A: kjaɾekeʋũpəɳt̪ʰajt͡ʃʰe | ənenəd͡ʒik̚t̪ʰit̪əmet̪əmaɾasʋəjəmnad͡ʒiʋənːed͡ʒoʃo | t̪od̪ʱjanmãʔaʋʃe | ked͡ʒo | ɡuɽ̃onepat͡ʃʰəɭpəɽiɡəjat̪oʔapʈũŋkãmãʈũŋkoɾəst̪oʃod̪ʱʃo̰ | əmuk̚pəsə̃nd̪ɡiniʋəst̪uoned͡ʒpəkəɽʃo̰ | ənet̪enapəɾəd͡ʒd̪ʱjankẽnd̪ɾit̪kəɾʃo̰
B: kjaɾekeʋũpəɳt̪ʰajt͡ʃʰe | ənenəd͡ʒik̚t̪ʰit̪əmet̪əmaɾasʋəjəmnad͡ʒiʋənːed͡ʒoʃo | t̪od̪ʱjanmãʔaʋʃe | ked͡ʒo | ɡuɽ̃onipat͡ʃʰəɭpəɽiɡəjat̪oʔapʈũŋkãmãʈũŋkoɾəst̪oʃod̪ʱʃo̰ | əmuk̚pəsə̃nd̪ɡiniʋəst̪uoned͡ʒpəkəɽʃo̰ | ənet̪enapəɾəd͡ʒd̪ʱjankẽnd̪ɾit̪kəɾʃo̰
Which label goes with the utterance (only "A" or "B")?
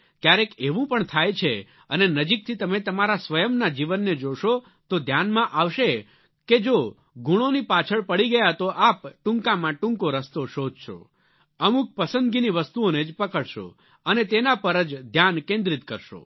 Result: B